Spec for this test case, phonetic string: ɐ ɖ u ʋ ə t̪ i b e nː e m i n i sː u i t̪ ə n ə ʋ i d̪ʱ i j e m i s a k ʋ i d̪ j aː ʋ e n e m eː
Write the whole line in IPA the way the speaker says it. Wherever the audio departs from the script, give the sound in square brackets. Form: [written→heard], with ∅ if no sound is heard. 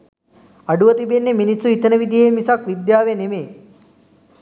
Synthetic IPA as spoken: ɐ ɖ u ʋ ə t̪ i b e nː e m i n i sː u i t̪ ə n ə ʋ i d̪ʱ i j e m i s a k ʋ i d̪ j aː ʋ e n e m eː